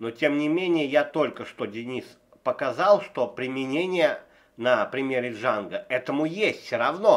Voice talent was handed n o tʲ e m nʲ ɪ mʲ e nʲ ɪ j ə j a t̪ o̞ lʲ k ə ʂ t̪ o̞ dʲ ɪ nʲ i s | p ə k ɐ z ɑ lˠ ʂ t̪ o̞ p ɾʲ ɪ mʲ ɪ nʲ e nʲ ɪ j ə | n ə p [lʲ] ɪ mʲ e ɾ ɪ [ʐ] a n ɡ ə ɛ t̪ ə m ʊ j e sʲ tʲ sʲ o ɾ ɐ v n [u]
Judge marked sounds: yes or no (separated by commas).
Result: no, yes, no